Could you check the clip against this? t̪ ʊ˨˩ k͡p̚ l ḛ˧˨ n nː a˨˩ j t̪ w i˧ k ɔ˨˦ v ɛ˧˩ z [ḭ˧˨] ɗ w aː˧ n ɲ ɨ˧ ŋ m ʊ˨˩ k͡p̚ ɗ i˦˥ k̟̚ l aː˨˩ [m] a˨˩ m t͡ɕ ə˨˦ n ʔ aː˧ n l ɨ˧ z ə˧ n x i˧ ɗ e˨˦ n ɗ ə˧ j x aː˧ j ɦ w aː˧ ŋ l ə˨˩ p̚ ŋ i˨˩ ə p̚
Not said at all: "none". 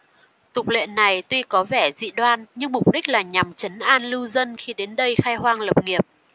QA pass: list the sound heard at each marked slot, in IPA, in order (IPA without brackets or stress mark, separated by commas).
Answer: ḭ˧˨, ɲ